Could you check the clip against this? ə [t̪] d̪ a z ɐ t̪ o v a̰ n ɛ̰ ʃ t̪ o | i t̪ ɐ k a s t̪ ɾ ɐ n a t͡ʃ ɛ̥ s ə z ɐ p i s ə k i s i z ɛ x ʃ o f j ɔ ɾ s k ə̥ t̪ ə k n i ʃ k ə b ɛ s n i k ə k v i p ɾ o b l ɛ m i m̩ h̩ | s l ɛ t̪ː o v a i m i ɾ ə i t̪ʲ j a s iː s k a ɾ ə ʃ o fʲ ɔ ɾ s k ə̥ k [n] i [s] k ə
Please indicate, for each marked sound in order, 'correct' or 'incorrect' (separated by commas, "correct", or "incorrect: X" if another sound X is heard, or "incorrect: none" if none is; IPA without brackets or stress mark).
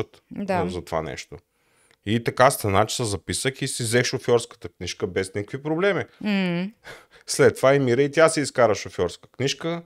correct, correct, incorrect: ʃ